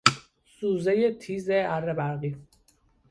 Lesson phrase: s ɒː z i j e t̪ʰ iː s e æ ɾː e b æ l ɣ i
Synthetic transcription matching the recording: s uː z e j e t̪ʰ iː z e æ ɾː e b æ ɾ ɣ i